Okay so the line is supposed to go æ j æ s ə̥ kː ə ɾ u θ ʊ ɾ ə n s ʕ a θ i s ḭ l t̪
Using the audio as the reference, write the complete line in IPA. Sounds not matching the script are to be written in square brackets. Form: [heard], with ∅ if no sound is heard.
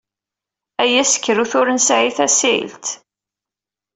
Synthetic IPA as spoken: æ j æ s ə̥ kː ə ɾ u θ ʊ ɾ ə n s ʕ [i] θ [æ] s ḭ l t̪